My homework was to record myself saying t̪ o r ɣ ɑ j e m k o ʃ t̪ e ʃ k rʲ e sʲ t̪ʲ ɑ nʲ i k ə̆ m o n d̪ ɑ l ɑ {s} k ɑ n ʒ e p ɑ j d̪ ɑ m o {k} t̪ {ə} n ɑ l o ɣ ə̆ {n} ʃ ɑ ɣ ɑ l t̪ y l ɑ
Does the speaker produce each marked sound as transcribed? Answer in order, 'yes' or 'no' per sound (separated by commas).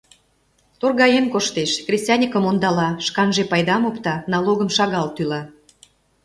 no, no, no, no